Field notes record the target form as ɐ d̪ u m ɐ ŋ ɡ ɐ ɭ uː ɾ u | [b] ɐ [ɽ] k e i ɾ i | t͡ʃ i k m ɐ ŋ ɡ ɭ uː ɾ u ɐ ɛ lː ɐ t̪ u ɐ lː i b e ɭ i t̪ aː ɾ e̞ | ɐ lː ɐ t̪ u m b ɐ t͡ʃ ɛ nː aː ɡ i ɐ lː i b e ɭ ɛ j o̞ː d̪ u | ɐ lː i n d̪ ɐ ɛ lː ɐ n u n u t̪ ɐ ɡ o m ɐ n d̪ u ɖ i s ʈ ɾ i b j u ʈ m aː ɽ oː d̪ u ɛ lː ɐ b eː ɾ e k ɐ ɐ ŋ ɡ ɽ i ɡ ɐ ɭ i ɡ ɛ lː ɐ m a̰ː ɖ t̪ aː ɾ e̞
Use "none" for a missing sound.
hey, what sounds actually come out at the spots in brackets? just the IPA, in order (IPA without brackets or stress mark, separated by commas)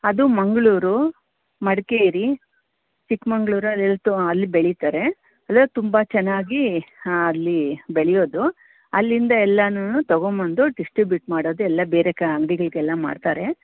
m, ɽ